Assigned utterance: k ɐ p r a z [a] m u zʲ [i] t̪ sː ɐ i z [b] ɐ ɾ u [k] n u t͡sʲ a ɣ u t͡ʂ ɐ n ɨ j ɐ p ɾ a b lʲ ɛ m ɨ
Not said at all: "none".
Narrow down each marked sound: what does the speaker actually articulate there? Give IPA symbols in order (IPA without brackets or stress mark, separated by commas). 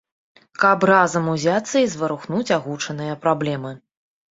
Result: ɐ, a, v, x